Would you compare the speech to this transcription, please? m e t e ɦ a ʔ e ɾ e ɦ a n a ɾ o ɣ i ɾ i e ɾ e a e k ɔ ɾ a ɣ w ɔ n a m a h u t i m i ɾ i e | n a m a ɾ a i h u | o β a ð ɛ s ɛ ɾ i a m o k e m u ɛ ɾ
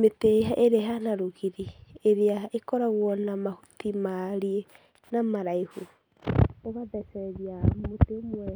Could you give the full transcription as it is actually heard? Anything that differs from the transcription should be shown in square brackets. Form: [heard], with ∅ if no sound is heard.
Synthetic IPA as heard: m e t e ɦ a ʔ e ɾ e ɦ a n a ɾ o ɣ i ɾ i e ɾ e a e k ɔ ɾ a ɣ w ɔ n a m a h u t i m [a] ɾ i e | n a m a ɾ a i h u | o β a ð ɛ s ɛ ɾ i a m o [t] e m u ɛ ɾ